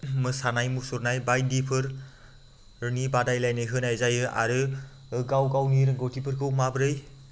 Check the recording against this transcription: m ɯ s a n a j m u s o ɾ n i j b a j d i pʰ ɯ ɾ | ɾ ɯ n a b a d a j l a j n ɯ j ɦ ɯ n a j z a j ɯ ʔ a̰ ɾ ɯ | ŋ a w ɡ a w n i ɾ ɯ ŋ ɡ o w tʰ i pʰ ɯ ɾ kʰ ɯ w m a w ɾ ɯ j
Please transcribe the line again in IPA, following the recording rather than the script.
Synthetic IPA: m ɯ s a n a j m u s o ɾ n a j b a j d i pʰ ɯ ɾ | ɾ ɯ n i b a d a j l a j n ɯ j ɦ ɯ n a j z a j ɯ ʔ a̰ ɾ ɯ | ɡ a w ɡ a w n i ɾ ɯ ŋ ɡ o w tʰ i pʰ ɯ ɾ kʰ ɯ w m a b ɾ ɯ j